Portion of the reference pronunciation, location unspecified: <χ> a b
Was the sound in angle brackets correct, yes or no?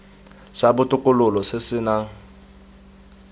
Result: no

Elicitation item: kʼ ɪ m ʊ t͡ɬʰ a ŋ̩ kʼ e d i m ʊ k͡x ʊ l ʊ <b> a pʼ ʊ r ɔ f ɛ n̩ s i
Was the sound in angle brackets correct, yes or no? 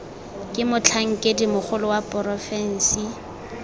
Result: no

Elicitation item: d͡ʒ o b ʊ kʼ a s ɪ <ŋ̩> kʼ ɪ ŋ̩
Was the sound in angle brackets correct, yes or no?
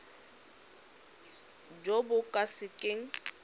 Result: no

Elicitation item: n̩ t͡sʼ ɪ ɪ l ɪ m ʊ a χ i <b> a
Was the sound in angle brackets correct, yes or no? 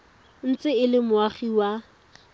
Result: no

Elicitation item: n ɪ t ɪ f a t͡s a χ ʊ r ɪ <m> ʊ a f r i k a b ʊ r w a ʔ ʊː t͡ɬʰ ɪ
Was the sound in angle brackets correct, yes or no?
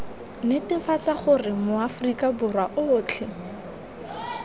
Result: yes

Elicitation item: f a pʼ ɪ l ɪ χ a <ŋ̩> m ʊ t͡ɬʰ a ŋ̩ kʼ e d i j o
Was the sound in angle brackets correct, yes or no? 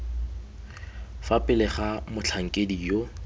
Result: no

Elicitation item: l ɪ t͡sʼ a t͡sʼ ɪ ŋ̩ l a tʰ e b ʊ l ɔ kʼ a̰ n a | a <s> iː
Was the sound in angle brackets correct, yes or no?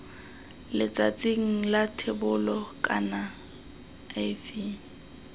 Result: no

